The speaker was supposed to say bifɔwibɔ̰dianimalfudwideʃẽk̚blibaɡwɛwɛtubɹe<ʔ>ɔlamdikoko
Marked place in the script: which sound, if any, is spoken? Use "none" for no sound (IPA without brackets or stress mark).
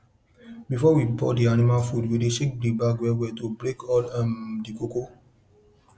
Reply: k